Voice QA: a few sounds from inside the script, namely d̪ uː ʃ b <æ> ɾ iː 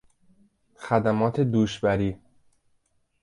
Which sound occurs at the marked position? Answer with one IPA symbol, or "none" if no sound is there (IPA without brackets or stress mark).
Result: æ